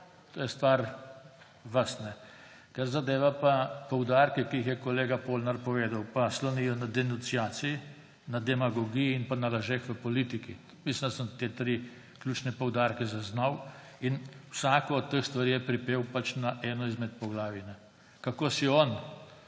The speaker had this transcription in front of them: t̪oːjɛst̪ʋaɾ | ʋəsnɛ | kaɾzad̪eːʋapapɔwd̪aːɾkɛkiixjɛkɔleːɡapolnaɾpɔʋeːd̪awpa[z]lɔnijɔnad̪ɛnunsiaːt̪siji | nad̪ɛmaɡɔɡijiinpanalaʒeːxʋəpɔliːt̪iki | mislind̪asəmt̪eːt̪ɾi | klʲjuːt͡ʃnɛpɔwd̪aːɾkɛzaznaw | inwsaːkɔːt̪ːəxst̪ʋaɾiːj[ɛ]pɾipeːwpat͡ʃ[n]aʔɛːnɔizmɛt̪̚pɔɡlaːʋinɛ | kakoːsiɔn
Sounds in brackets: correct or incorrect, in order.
incorrect: s, correct, correct

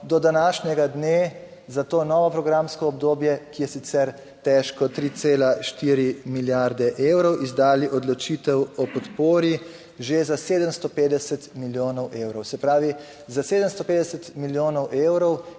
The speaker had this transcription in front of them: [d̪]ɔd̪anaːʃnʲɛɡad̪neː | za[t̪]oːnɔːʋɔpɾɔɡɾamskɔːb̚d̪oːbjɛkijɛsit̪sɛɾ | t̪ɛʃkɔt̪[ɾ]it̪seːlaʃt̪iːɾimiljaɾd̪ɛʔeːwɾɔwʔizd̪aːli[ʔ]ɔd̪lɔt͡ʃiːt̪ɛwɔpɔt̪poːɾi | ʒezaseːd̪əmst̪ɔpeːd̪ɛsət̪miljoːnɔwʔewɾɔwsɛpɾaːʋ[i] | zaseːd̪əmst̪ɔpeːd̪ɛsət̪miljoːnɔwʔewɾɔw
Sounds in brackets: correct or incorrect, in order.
correct, correct, correct, correct, correct

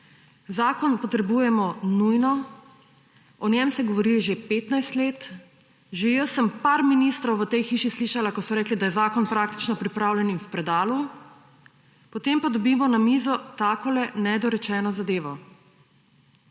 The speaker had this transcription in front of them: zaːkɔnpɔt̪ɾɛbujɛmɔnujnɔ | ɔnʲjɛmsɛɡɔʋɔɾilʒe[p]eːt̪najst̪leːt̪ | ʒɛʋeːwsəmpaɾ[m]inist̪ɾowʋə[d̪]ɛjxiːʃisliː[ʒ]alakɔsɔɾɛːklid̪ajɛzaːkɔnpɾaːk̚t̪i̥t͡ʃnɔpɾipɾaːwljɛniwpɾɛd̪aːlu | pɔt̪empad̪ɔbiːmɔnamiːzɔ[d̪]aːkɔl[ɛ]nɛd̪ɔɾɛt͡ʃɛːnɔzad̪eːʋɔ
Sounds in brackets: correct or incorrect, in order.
correct, correct, incorrect: t̪, incorrect: ʃ, incorrect: t̪, correct

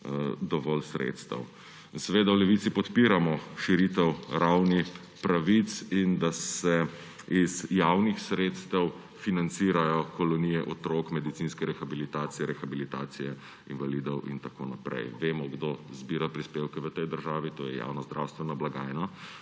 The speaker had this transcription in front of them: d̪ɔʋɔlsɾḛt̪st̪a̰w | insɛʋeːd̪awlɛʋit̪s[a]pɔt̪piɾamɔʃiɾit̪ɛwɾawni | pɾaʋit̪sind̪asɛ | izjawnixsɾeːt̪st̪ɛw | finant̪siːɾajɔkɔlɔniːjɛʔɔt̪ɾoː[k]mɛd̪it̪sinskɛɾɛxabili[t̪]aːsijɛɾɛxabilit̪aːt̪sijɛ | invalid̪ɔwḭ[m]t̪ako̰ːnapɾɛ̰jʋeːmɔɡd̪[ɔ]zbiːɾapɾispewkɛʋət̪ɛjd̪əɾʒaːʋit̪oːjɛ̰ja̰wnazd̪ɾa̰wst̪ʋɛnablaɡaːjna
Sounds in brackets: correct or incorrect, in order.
incorrect: i, correct, correct, incorrect: n, incorrect: o

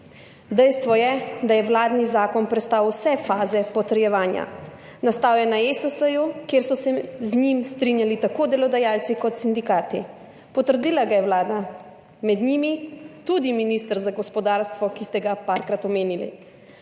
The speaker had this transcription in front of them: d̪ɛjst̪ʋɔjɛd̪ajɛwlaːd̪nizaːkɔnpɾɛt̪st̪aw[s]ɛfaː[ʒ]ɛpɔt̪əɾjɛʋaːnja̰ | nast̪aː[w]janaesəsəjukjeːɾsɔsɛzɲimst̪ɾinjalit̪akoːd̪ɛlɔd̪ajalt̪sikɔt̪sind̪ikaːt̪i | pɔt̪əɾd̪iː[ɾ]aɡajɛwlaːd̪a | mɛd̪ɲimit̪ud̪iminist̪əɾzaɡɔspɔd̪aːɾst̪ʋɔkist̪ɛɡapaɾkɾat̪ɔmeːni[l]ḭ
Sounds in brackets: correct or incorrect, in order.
correct, incorrect: z, correct, incorrect: l, correct

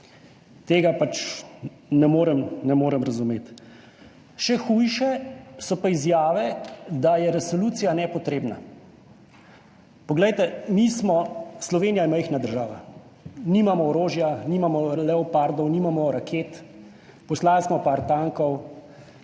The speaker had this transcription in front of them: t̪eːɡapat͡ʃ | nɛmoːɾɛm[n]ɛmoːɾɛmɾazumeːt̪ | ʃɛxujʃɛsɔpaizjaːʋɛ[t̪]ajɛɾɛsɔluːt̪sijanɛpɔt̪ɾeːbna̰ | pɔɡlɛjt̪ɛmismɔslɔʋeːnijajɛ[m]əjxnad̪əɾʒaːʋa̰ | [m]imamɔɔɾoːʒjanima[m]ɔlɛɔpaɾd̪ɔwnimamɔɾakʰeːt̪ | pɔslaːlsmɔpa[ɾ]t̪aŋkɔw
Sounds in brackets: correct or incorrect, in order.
correct, incorrect: d̪, correct, incorrect: n, correct, correct

